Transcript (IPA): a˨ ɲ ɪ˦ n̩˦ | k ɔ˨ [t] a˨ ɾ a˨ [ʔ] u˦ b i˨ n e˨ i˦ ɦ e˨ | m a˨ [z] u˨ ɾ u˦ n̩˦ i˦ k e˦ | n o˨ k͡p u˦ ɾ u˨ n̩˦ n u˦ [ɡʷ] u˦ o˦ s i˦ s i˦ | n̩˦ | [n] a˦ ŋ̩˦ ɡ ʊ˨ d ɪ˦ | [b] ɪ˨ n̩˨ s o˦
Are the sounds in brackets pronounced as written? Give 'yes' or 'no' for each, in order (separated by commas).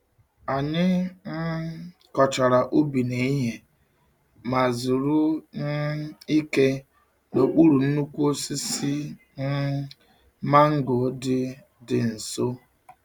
no, yes, yes, no, no, no